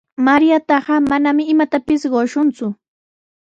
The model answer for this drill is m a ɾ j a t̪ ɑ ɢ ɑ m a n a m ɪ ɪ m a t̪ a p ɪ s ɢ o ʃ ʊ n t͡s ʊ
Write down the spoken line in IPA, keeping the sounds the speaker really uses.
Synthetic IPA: m a ɾ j a t̪ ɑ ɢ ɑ m a n a m ɪ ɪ m a t̪ a p ɪ s ɢ o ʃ ʊ n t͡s ʊ